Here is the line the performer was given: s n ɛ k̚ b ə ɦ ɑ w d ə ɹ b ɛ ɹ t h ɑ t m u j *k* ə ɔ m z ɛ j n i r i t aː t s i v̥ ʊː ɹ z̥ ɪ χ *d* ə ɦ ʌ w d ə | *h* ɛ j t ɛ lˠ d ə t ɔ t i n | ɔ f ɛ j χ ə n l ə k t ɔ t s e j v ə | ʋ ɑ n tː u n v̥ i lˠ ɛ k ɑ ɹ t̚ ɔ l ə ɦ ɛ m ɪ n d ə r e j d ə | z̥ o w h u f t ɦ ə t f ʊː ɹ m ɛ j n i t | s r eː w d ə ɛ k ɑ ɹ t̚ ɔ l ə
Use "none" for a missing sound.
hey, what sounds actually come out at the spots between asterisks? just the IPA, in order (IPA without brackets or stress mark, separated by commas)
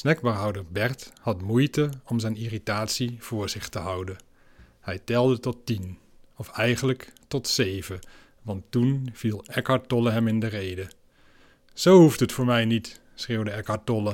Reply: t, t, h